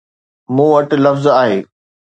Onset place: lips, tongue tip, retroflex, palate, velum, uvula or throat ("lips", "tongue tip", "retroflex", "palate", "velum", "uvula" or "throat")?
lips